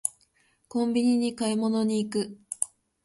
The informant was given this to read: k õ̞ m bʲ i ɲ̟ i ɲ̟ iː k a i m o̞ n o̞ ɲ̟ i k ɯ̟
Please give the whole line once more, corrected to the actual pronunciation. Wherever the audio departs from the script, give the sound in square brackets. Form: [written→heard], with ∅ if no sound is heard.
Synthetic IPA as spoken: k õ̞ m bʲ i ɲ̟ i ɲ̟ [iː→i] k a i m o̞ n o̞ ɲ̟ [i→iː] k ɯ̟